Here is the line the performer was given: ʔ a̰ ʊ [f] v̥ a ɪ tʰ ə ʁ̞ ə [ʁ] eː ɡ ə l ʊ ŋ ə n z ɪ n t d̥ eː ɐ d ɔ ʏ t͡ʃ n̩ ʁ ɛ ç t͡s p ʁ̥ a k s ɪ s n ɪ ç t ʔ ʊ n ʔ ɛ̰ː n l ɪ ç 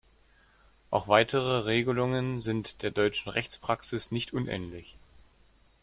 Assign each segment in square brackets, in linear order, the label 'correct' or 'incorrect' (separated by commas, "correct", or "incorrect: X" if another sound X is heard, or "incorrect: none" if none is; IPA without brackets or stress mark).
incorrect: x, correct